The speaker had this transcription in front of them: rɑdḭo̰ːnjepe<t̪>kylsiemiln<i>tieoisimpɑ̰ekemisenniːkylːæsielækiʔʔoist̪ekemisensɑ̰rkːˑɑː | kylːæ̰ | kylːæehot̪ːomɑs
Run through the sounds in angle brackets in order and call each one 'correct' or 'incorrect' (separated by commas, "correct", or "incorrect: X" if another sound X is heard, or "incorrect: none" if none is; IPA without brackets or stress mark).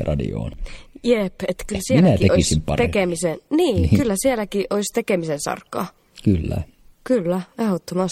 correct, incorrect: æ